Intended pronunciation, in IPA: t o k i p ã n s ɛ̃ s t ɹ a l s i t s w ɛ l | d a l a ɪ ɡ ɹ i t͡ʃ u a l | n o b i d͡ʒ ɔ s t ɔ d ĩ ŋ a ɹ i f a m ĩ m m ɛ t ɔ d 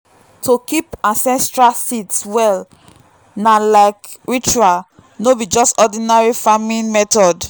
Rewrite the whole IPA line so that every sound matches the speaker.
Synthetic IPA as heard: t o k i p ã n s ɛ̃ s t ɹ a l s i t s w ɛ l | n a l a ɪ k ɹ i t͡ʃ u a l | n o b i d͡ʒ ɔ s t ɔ d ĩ n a ɹ i f a m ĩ n m ɛ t ɔ d